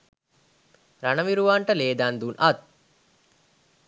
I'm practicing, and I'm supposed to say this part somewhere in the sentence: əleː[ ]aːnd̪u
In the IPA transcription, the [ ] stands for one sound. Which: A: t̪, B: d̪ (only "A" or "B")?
B